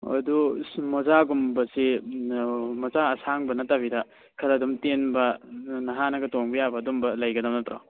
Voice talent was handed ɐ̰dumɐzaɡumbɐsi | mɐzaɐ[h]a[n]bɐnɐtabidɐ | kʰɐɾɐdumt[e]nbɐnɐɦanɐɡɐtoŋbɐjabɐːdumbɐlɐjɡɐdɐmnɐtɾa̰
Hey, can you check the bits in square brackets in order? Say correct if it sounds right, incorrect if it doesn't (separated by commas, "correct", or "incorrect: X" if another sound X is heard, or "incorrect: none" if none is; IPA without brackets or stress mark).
incorrect: s, incorrect: ŋ, correct